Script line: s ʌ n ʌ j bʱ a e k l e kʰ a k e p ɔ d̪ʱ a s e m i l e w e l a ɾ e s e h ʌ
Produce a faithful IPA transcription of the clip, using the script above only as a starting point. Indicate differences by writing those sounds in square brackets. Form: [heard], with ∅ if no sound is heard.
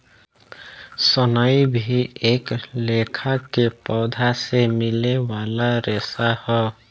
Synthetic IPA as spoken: s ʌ n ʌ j bʱ [i] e k l e kʰ a k e p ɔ d̪ʱ a s e m i l e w [a] l a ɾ e s [a] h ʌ